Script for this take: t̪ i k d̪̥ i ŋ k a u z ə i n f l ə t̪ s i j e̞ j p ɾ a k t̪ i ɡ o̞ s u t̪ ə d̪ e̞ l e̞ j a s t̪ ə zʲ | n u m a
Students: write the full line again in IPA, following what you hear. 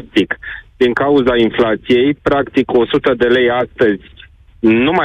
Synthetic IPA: t̪ i k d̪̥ i ŋ k a u z a i n f l a t̪ s i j e̞ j p ɾ a k t̪ i k o̞ s u t̪ ə d̪ e̞ l e̞ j a s t̪ ə zʲ | n u m a